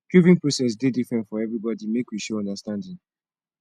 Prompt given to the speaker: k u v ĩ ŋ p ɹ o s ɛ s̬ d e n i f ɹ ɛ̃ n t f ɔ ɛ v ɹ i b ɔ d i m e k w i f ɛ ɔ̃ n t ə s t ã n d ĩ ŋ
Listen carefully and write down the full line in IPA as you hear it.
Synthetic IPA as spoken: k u v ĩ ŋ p ɹ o s ɛ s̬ d e d i f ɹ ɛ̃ n t f ɔ ɛ v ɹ i b ɔ d i m e k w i ʃ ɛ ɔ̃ n d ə s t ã n d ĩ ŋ